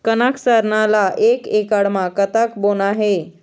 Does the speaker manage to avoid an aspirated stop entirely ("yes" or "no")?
yes